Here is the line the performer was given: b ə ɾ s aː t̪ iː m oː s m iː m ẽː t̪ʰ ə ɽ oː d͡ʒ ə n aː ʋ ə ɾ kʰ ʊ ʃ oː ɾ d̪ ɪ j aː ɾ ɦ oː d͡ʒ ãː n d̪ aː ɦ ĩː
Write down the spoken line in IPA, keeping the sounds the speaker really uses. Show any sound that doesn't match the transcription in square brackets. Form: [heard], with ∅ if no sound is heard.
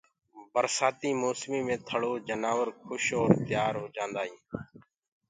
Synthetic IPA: b ə ɾ s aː t̪ iː m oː s m iː m ẽː t̪ʰ ə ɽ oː d͡ʒ ə n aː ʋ ə ɾ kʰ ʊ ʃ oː ɾ [t̪] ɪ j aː ɾ ɦ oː d͡ʒ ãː n d̪ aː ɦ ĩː